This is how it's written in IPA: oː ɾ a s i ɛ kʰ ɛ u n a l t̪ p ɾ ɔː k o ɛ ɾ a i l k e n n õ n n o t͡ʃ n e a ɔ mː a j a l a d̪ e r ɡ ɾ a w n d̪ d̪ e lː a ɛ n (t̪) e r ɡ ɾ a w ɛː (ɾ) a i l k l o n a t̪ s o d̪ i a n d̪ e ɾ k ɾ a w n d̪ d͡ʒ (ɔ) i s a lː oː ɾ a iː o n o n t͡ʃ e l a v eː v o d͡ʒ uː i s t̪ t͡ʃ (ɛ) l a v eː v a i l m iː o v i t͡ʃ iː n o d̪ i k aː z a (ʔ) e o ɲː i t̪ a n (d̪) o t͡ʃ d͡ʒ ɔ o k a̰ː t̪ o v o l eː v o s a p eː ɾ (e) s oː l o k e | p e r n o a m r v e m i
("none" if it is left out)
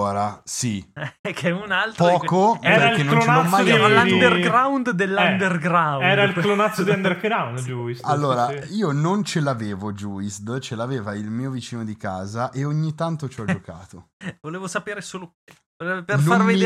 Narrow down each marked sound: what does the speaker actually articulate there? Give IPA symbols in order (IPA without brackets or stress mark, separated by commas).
d̪, ɾ, u, e, ʔ, t̪, e